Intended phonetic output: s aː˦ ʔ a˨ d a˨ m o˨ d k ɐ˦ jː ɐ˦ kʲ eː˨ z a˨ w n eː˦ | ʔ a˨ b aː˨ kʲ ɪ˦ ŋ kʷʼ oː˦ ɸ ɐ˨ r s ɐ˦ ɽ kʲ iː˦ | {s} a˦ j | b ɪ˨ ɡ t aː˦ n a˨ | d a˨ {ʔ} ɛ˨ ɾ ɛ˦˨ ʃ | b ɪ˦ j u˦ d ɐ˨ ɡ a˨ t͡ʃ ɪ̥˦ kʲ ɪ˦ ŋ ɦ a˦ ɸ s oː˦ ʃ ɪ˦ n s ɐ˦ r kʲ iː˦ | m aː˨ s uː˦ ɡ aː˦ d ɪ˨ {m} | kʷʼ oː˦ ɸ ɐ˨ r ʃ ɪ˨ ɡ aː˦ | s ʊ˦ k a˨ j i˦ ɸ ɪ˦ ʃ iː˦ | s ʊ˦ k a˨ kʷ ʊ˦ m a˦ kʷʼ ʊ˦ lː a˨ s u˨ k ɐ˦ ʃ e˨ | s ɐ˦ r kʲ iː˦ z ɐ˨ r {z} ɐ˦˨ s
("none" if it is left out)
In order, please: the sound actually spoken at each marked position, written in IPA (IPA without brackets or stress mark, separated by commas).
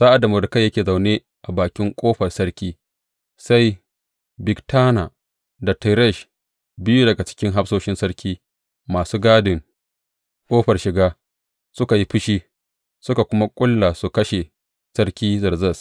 s, t, ŋ, z